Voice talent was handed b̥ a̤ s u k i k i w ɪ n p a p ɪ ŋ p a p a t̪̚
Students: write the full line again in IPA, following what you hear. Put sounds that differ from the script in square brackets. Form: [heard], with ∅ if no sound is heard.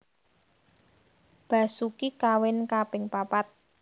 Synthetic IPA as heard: b̥ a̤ s u k i k [a] w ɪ n [k] a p ɪ ŋ p a p a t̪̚